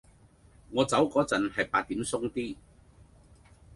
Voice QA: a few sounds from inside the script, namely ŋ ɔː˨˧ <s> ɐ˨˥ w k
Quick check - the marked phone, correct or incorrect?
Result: incorrect